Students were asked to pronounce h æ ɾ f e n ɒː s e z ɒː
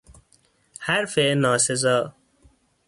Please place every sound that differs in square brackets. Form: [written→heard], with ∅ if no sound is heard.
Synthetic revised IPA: h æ ɾ f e n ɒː s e z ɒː